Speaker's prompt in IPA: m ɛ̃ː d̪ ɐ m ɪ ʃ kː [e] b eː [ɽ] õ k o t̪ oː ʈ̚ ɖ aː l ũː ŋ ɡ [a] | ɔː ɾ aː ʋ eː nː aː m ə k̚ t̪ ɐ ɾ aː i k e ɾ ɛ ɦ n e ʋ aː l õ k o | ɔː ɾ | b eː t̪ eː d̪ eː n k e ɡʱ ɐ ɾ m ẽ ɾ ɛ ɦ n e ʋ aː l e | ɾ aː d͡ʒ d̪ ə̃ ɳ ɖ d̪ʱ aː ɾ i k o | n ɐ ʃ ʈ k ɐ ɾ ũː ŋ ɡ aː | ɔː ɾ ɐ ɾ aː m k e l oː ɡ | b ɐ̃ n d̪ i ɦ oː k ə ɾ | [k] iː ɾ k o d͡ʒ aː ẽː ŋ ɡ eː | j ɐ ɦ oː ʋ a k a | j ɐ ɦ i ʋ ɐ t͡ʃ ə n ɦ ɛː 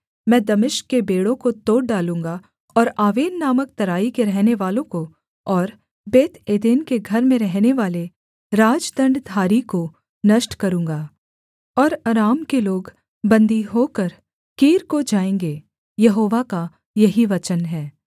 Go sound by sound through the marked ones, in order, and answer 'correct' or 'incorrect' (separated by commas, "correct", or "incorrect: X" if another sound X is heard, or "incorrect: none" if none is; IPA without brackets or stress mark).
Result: correct, correct, correct, correct